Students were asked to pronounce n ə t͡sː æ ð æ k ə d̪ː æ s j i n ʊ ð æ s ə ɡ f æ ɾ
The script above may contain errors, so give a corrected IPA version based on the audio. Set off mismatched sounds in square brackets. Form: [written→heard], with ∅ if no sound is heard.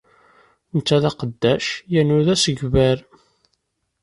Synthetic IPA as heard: n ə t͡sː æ ð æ [k→q] ə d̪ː æ [s→ʃ] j [i→æ] n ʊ ð æ s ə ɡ [f→v] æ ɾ